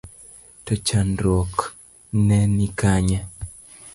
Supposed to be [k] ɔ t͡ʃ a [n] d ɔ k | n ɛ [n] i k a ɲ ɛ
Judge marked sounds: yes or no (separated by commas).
no, yes, yes